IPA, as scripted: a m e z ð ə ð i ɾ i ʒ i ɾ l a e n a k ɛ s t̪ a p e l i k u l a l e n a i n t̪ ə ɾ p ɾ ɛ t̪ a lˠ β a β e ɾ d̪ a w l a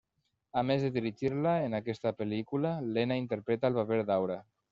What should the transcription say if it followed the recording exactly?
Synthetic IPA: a m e z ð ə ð i ɾ i ʒ i ɾ l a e n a k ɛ s t̪ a p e l i k u l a l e n a i n t̪ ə ɾ p ɾ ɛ t̪ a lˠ β a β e ɾ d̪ a w ɾ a